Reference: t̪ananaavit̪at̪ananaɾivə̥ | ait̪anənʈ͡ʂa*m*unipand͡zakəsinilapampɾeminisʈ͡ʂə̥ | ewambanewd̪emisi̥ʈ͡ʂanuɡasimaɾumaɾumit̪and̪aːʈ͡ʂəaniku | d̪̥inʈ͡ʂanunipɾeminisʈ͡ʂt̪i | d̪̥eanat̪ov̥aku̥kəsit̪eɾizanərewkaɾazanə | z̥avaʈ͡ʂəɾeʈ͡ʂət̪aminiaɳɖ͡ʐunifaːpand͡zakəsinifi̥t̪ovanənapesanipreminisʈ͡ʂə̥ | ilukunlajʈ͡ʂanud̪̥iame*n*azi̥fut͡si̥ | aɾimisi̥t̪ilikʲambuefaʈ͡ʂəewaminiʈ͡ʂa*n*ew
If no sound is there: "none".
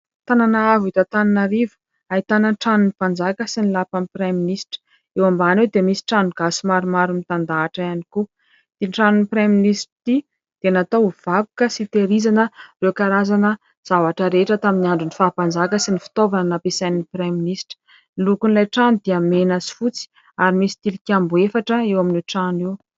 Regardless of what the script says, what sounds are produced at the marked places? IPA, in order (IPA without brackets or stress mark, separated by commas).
n, n, n